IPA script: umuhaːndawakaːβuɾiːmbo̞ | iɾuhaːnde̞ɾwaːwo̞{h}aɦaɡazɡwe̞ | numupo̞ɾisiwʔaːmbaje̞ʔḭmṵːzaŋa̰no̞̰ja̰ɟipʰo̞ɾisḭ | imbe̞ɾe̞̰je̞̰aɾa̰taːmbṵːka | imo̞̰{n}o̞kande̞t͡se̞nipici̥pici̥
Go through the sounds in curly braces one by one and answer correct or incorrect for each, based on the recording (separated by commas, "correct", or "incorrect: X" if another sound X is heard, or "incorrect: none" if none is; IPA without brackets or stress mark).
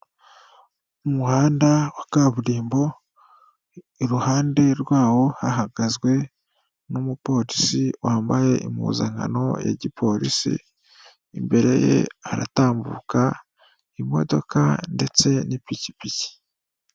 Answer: correct, incorrect: d